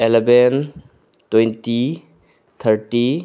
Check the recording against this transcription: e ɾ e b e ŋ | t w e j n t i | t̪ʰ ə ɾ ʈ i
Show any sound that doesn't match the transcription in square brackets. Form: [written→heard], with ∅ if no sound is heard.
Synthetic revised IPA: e [ɾ→l] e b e [ŋ→n] | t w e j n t i | t̪ʰ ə ɾ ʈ i